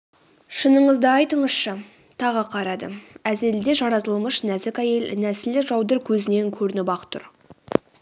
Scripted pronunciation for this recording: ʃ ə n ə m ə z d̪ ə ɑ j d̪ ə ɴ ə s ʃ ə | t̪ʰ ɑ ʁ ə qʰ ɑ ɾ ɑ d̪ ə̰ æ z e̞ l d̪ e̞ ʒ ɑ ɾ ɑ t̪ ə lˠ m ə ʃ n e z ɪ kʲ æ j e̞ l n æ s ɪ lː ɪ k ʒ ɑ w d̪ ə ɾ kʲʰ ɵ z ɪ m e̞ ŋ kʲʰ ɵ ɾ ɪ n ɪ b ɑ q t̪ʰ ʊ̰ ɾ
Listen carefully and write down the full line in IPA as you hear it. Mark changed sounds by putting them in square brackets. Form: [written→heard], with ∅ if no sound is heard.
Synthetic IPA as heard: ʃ ə n ə [m→ɴ] ə z d̪ ə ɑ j [d̪→t̪] ə ɴ ə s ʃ ə | t̪ʰ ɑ ʁ ə qʰ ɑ ɾ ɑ d̪ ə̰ æ z e̞ l d̪ e̞ ʒ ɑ ɾ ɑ t̪ ə lˠ m ə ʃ n [e→æ] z ɪ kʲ æ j e̞ l n æ s ɪ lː ɪ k ʒ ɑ w d̪ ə ɾ kʲʰ ɵ z ɪ [m→n] e̞ ŋ kʲʰ ɵ ɾ ɪ n ɪ b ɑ q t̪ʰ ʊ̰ ɾ

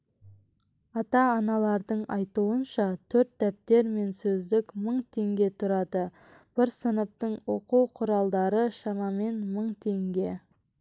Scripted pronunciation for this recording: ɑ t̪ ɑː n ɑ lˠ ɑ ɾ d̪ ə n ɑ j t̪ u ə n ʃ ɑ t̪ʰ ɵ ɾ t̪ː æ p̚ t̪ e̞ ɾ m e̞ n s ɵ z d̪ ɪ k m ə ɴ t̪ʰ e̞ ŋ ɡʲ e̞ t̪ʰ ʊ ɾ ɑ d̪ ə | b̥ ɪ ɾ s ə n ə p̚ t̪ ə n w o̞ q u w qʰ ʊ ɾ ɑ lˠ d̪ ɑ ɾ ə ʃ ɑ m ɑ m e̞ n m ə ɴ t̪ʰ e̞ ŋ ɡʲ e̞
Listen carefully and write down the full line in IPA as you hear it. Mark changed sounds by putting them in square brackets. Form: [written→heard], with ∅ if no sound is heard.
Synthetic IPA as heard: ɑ t̪ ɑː n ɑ lˠ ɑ ɾ d̪ ə [n→ɴ] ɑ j t̪ u ə n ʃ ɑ t̪ʰ ɵ ɾ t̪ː æ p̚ t̪ e̞ ɾ m e̞ n s ɵ z d̪ ɪ k m ə ɴ t̪ʰ e̞ ŋ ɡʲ e̞ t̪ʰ ʊ ɾ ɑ d̪ ə | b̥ ɪ ɾ s ə n ə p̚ t̪ ə [n→ɴ] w o̞ q u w qʰ ʊ ɾ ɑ lˠ d̪ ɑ ɾ ə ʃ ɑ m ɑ m e̞ n m ə ɴ t̪ʰ e̞ ŋ ɡʲ e̞

